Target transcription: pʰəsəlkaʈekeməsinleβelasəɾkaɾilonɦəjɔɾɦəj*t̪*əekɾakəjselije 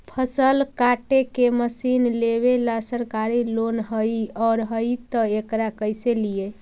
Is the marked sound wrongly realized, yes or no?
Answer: no